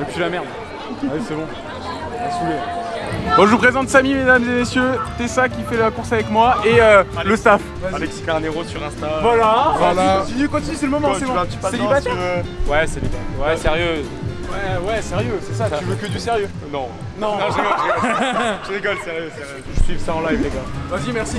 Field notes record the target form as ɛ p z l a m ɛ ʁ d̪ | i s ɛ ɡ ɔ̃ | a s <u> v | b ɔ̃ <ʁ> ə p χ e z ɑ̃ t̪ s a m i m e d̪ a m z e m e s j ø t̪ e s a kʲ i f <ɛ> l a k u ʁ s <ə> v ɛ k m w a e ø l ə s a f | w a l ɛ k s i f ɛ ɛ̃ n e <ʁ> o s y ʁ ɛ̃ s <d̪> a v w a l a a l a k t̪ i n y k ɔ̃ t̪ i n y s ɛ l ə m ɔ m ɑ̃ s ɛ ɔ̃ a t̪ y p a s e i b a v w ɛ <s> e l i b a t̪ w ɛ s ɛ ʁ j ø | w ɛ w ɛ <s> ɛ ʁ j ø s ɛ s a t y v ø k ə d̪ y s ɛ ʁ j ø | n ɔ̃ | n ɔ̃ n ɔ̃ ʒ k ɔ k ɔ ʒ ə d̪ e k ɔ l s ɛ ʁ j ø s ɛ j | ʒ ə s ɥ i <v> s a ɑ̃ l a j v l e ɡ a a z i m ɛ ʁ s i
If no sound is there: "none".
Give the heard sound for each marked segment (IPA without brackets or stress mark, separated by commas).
u, ʒ, ɛ, a, ʁ, t̪, s, s, v